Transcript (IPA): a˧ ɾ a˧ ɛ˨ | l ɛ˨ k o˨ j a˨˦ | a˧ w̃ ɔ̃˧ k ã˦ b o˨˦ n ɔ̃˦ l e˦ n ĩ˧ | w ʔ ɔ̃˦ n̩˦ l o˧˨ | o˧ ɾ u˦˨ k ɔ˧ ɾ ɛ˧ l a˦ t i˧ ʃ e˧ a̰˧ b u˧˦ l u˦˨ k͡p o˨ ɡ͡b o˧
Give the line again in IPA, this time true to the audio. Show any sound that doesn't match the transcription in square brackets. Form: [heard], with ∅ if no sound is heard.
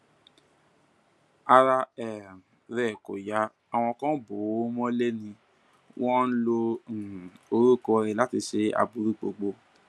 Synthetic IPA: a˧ ɾ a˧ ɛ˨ | [ɾ] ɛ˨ k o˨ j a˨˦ | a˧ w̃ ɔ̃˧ k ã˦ b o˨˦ [m] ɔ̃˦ l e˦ n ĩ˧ | w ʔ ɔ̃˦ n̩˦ l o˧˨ | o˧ ɾ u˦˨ k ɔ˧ ɾ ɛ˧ l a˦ t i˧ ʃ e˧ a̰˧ b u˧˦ [ɾ] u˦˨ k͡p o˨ ɡ͡b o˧